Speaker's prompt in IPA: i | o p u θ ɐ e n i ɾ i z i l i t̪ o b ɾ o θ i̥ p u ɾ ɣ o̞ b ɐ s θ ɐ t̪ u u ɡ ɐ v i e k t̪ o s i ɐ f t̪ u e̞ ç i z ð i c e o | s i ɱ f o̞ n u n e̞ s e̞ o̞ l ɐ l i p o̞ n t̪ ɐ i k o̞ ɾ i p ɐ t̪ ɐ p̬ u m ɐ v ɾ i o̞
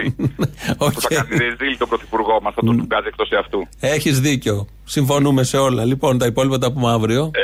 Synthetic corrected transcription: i | o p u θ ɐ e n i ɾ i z i l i t̪ o b ɾ o θ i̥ p u ɾ ɣ o̞ m ɐ s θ ɐ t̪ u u ɡ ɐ z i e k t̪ o s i ɐ f t̪ u e̞ ç i z ð i c e o | s i ɱ f o̞ n u m e̞ s e̞ o̞ l ɐ l i p o̞ n t̪ ɐ i p o̞ l i p ɐ t̪ ɐ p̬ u m ɐ v ɾ i o̞